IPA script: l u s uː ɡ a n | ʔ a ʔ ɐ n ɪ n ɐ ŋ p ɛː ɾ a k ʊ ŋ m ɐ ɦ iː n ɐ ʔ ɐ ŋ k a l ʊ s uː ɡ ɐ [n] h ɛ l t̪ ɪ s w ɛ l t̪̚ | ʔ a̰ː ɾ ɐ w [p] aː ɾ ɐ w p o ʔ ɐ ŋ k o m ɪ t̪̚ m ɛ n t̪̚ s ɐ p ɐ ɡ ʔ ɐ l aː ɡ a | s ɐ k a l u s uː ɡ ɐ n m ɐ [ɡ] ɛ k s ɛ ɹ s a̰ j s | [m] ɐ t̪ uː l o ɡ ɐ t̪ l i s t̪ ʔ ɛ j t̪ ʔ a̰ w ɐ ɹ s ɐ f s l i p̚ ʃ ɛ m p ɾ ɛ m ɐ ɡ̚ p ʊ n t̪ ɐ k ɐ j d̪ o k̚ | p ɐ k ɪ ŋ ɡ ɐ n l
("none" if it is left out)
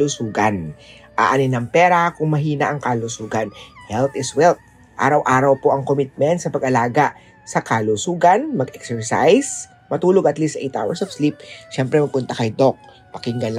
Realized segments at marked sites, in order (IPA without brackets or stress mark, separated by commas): n, ʔ, ɡ, m